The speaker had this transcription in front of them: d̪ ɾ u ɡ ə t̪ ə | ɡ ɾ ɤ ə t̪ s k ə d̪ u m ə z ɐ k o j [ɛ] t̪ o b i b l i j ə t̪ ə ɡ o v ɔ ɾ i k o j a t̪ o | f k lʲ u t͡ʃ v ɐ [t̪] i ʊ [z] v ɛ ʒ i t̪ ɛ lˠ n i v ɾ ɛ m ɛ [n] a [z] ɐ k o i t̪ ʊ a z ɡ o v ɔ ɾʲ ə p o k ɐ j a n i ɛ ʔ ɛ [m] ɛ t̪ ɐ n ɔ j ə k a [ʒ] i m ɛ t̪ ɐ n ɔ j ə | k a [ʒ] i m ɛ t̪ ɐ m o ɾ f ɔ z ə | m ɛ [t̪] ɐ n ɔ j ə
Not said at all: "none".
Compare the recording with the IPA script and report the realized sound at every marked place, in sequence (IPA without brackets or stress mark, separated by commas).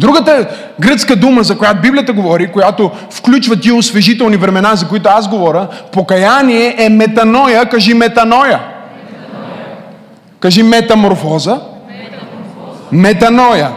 a, t̪, s, n, z, m, ʒ, ʒ, t̪